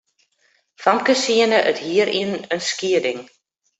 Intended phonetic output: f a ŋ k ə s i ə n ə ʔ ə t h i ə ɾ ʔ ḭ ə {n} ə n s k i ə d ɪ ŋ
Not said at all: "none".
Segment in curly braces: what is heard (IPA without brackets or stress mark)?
n